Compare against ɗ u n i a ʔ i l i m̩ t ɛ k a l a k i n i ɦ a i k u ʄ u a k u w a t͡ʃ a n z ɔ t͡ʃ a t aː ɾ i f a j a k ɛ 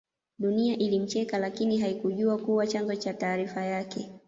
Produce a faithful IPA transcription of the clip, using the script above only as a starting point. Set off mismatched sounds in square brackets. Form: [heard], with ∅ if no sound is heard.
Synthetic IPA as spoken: ɗ u n i a ʔ i l i m̩ [t͡ʃ] ɛ k a l a k i n i ɦ a i k u ʄ u a k u w a t͡ʃ a n z ɔ t͡ʃ a t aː ɾ i f a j a k ɛ